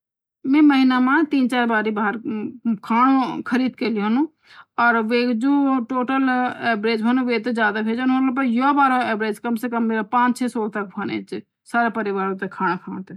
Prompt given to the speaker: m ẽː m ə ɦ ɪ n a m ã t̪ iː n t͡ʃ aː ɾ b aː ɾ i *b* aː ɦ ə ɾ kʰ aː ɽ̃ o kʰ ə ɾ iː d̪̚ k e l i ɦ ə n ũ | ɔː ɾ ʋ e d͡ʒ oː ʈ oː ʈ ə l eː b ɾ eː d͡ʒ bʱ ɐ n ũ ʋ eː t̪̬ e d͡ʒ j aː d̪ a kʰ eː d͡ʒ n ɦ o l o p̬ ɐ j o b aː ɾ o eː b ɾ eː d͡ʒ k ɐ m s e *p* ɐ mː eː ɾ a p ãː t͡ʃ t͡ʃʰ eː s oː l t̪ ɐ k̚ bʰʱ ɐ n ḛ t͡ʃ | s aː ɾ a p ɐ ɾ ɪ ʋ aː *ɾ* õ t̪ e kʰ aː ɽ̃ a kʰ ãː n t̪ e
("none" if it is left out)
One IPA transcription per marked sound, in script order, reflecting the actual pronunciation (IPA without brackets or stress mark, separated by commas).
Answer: b, k, ɾ